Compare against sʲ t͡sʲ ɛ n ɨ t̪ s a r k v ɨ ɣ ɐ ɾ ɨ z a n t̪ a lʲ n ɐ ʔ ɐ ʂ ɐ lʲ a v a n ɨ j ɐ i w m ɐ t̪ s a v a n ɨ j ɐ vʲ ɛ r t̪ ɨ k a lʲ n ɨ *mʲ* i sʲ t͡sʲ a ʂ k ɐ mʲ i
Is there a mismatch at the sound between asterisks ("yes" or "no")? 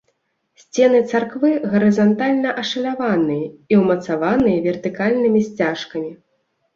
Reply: no